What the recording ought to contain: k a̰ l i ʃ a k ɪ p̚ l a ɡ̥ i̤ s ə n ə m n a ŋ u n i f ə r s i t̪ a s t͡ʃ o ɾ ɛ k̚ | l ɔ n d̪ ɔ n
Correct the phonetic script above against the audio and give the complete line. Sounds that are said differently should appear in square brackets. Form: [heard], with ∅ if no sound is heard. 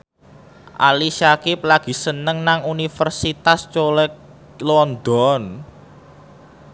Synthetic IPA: [ʔ] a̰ l i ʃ a k ɪ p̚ l a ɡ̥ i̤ s ə n ə [ŋ] n a ŋ u n i f ə r s i t̪ a s t͡ʃ o [l] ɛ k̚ | l ɔ n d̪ ɔ n